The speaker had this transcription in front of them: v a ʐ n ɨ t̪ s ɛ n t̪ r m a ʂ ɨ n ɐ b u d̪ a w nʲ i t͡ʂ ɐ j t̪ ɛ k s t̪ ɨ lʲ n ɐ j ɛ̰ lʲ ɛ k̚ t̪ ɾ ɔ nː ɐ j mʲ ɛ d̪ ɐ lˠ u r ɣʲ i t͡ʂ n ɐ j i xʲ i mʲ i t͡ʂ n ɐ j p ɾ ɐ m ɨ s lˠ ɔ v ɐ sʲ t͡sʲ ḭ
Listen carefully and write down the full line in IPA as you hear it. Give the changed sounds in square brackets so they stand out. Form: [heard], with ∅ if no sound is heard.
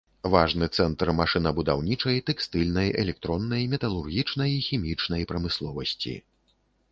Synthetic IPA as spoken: v a ʐ n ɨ t̪ s ɛ n t̪ r m a ʂ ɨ n ɐ b u d̪ a w nʲ i t͡ʂ ɐ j t̪ ɛ k s t̪ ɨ lʲ n ɐ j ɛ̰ lʲ ɛ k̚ t̪ ɾ ɔ nː ɐ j mʲ ɛ [t̪] ɐ lˠ u r ɣʲ i t͡ʂ n ɐ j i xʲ i mʲ i t͡ʂ n ɐ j p ɾ ɐ m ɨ s lˠ ɔ v ɐ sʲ t͡sʲ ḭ